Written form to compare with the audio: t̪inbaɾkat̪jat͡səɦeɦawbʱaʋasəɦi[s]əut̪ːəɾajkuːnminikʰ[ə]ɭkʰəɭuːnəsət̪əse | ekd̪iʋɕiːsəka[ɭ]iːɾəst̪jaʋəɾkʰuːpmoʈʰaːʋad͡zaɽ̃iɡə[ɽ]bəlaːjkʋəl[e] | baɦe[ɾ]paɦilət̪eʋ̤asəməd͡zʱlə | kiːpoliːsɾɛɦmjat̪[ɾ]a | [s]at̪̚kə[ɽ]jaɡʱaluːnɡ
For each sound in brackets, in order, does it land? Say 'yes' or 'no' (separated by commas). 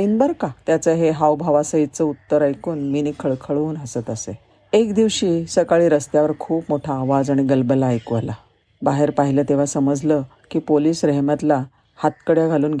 no, yes, yes, no, no, yes, no, no, yes